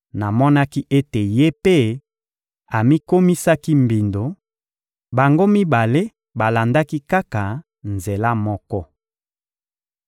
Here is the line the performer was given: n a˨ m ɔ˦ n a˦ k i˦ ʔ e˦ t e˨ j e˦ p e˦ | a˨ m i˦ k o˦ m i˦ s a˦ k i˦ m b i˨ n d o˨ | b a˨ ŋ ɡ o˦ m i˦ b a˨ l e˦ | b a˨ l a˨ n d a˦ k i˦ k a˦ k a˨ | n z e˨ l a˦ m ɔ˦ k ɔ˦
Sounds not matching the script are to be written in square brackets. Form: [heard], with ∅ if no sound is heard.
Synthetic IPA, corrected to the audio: n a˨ m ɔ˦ n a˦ k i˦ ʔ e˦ t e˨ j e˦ p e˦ | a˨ m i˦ k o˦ m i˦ s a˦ k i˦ m b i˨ n d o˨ | b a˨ ŋ ɡ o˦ m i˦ b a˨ l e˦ | b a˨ l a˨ n d a˦ k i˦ k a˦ k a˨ | n z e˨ l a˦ m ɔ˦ k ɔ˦